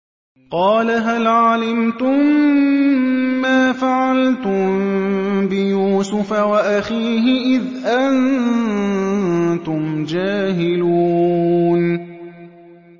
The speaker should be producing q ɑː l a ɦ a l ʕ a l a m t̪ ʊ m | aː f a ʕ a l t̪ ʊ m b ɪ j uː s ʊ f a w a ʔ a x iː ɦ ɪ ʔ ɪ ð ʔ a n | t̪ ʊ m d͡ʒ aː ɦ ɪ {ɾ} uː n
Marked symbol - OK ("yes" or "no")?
no